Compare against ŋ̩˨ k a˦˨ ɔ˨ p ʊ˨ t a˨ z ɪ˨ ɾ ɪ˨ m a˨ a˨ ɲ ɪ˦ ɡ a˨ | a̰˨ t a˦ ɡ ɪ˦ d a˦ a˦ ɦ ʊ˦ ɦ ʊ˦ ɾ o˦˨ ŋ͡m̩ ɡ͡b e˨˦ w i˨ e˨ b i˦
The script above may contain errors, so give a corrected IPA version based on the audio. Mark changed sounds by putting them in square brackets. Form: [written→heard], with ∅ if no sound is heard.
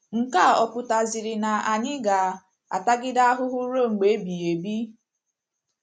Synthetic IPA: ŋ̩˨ k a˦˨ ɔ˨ p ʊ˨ t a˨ z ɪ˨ ɾ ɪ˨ [m→n] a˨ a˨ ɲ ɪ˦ ɡ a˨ | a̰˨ t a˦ ɡ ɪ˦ d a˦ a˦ ɦ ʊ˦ ɦ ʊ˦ ɾ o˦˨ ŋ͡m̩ ɡ͡b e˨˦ [w→b] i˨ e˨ b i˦